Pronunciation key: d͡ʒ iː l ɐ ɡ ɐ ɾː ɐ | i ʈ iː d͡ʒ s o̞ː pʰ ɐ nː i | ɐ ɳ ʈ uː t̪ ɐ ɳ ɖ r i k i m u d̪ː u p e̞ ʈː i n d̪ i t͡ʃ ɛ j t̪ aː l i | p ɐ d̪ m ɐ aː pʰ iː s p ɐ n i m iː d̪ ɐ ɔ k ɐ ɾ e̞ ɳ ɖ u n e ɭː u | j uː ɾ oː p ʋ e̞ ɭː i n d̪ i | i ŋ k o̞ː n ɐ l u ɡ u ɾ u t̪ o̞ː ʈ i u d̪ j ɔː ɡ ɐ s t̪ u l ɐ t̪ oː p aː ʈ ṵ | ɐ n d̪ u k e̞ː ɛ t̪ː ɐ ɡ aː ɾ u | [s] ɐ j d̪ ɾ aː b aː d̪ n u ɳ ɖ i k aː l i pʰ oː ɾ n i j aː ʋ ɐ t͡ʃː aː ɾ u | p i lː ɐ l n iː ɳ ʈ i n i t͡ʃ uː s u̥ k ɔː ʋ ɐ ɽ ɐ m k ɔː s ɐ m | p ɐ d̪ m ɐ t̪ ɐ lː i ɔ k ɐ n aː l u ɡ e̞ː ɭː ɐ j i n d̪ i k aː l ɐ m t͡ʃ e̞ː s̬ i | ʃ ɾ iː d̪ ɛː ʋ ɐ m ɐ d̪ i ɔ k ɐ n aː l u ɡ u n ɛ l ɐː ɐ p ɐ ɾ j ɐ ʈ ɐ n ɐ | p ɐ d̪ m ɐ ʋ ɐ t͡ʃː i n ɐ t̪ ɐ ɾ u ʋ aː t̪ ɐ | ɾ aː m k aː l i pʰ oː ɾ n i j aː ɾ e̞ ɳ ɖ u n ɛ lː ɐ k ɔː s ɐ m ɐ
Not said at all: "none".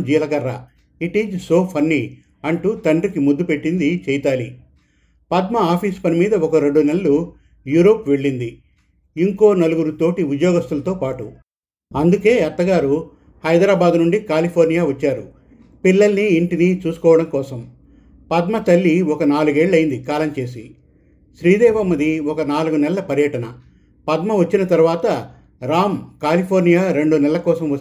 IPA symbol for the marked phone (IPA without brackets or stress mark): h